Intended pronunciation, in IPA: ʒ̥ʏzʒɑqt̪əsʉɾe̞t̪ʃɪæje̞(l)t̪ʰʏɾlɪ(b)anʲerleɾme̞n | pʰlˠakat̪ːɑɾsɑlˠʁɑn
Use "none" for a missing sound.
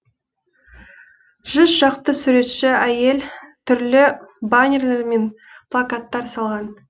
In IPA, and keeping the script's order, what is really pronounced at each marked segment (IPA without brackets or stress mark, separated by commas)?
l, b